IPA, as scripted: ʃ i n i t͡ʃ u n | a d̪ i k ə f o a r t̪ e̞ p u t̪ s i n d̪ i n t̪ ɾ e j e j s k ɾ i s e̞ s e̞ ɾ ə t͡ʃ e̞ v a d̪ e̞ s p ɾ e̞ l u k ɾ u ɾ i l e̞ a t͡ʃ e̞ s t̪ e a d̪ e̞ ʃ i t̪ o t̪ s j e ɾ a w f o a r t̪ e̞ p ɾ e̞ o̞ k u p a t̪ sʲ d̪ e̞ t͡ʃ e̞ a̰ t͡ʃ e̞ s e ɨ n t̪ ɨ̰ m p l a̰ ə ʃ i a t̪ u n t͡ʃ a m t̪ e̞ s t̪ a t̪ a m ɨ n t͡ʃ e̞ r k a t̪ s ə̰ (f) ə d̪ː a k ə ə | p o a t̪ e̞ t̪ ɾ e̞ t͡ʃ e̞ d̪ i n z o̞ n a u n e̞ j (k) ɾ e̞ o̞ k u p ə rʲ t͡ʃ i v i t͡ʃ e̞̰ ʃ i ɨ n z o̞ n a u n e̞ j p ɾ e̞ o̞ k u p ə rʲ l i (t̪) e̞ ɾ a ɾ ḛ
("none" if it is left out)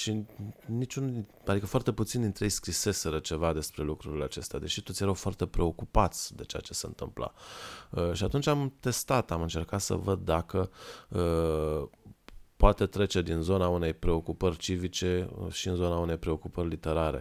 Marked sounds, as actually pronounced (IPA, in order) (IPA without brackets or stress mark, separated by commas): v, p, t̪